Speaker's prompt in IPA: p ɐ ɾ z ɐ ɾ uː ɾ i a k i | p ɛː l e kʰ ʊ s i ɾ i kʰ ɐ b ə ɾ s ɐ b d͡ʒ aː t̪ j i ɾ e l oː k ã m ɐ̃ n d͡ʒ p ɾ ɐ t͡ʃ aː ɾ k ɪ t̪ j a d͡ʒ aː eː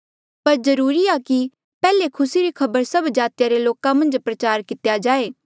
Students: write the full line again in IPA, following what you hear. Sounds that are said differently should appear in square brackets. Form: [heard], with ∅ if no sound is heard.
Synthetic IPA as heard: p ɐ ɾ z ɐ ɾ uː ɾ i a k i | p ɛː l e kʰ ʊ s i ɾ i kʰ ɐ b ə ɾ s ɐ b d͡ʒ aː t̪ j [a] ɾ e l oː k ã m ɐ̃ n d͡ʒ p ɾ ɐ t͡ʃ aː ɾ k ɪ t̪ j a d͡ʒ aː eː